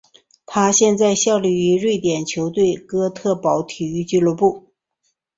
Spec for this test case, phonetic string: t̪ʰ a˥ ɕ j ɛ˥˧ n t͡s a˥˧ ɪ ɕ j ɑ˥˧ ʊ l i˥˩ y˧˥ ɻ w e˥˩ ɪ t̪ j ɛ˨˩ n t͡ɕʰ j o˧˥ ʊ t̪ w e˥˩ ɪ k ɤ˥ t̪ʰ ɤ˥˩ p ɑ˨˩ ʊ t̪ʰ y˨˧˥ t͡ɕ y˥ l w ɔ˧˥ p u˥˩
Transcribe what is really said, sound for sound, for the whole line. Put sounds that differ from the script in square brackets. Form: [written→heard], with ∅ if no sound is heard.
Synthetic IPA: t̪ʰ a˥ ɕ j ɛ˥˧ n t͡s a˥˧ ɪ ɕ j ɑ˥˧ ʊ l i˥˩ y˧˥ ɻ w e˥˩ ɪ t̪ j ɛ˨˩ n t͡ɕʰ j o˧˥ ʊ t̪ w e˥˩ ɪ k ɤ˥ t̪ʰ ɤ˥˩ p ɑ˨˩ ʊ t̪ʰ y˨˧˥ t͡ɕ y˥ l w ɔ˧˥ p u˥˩